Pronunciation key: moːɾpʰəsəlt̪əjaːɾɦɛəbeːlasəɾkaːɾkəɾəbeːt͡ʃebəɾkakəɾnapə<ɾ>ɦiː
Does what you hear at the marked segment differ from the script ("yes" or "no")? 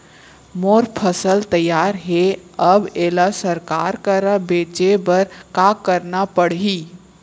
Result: yes